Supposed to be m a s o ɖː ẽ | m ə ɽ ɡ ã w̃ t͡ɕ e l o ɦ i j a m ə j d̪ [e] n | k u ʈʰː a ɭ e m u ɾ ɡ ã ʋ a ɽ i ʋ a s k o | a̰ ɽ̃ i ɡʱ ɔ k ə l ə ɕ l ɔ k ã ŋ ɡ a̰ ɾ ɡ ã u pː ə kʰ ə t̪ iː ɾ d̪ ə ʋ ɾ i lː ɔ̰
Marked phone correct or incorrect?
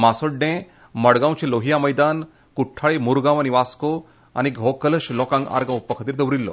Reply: incorrect